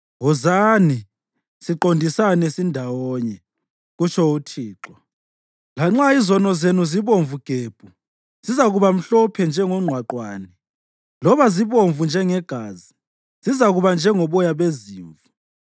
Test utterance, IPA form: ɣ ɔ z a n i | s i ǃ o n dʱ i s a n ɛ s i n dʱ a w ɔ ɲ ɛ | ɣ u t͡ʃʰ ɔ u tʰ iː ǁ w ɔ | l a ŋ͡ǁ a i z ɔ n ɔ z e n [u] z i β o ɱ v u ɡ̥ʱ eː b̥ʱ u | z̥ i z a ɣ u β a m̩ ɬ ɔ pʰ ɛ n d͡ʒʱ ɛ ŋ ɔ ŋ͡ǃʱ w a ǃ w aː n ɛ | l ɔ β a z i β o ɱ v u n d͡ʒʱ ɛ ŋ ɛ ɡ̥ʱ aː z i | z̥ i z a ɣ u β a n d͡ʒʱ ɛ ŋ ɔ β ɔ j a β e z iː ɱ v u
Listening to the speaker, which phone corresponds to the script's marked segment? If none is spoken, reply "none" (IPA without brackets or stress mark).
u